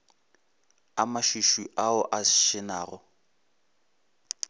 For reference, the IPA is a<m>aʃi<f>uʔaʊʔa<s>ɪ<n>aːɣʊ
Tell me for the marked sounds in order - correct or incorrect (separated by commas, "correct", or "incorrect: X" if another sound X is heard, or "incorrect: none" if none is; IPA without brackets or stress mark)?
correct, incorrect: ʃ, incorrect: ʃ, correct